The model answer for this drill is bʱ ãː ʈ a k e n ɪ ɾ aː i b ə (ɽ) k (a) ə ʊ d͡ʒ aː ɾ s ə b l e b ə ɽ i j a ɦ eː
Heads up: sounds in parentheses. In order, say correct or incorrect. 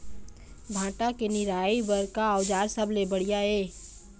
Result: incorrect, correct

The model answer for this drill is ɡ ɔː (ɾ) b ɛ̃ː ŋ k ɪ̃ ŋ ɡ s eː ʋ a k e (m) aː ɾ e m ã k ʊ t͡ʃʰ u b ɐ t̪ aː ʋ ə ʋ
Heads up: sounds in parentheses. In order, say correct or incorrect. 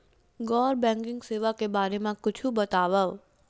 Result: correct, incorrect

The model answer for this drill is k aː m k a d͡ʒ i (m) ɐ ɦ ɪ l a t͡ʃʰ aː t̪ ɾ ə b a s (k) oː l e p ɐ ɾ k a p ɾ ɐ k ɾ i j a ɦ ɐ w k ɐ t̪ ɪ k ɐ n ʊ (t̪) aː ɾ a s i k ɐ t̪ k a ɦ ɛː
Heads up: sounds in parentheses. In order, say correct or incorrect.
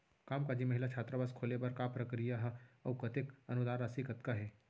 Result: correct, incorrect, incorrect

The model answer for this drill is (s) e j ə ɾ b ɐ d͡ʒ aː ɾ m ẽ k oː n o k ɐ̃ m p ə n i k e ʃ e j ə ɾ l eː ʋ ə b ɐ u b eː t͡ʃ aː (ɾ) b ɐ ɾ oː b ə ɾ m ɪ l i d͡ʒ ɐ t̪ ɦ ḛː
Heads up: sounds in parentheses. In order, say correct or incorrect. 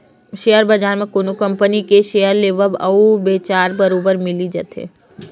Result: incorrect, correct

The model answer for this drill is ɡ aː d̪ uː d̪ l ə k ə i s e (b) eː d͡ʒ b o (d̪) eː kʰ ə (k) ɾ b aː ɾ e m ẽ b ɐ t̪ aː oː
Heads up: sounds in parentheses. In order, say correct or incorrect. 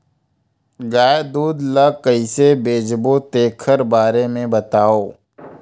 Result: correct, incorrect, incorrect

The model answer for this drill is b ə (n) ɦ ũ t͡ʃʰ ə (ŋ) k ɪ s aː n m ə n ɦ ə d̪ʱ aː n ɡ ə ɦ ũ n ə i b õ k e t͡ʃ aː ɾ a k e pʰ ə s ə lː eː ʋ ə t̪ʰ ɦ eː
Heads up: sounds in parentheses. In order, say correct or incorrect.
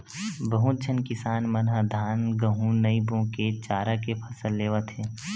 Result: incorrect, incorrect

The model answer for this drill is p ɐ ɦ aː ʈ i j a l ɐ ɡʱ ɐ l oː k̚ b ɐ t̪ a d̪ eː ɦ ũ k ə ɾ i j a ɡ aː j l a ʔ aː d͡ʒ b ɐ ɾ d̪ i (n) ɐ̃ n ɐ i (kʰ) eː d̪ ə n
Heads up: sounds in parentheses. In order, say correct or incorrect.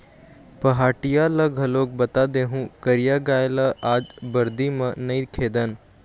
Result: incorrect, correct

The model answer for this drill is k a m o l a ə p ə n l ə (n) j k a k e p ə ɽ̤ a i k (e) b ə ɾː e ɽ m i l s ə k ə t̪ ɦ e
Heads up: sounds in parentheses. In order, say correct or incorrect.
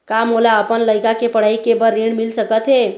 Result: incorrect, correct

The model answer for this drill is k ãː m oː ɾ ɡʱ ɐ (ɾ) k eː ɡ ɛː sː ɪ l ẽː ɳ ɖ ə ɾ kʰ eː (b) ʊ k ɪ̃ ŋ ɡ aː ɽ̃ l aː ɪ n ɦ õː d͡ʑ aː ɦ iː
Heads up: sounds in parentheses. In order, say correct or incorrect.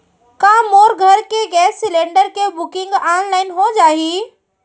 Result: correct, correct

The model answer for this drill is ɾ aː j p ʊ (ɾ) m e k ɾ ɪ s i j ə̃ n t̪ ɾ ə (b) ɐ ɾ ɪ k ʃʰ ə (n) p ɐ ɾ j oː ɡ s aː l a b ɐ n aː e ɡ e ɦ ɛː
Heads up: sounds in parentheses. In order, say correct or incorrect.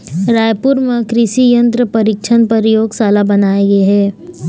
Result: correct, incorrect, correct

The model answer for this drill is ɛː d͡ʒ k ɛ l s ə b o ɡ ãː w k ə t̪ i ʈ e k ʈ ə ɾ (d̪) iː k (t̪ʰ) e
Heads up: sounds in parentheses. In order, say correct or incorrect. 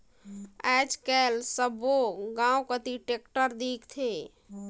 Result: correct, correct

